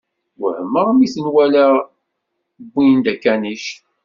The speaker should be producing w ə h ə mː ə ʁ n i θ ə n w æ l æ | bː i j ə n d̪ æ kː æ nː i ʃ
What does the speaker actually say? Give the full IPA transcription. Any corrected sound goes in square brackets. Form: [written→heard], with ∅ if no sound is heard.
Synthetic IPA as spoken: w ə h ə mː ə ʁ [n→m] i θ ə n w æ l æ | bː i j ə n d̪ æ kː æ [nː→n] i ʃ